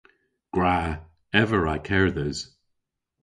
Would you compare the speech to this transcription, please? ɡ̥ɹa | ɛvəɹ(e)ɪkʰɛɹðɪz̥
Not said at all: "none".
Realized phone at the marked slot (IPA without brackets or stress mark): a